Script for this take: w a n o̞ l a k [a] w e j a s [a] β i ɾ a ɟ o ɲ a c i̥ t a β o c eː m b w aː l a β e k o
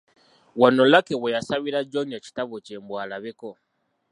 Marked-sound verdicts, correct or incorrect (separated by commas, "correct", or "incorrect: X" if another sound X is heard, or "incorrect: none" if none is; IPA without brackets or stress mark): incorrect: e, correct